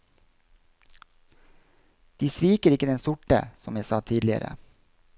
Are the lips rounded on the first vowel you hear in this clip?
no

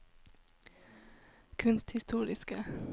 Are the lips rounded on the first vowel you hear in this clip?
yes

